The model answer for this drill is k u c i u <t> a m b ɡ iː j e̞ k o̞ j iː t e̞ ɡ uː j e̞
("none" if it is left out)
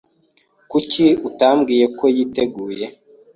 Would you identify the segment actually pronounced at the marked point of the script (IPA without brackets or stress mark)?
t